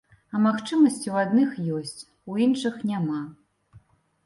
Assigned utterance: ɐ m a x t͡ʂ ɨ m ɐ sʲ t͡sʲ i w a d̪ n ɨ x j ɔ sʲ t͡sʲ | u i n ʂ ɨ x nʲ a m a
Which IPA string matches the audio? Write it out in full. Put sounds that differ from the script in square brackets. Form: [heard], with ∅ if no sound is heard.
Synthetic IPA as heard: ɐ m a x t͡ʂ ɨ m ɐ sʲ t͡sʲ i w a d̪ n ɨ x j ɔ sʲ t͡sʲ | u i n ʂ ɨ x nʲ a m a